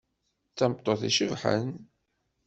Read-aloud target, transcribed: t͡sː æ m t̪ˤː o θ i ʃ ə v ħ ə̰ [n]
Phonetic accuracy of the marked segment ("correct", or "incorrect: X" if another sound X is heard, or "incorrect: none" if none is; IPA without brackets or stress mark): correct